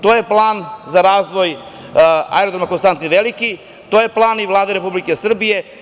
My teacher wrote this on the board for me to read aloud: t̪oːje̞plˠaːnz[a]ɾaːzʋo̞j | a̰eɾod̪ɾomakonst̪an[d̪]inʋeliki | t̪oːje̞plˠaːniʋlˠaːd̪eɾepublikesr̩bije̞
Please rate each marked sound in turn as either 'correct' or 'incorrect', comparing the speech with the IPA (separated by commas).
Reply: correct, incorrect